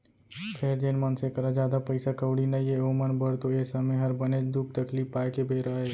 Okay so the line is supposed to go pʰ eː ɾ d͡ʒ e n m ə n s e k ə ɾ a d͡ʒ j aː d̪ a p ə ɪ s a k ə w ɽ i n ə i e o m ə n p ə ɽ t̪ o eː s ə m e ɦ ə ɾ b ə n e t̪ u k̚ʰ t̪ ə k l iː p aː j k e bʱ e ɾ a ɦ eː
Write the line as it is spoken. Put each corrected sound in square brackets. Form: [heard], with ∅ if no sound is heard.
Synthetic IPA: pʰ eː ɾ d͡ʒ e n m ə n s e k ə ɾ a d͡ʒ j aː d̪ a p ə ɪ s a k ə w ɽ i n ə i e o m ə n [b] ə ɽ t̪ o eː s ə m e ɦ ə ɾ b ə n e [d̪] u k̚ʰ t̪ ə k l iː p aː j k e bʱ e ɾ a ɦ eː